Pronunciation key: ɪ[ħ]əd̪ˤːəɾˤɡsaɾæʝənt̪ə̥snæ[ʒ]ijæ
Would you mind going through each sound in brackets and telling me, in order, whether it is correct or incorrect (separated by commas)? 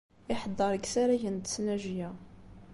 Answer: correct, correct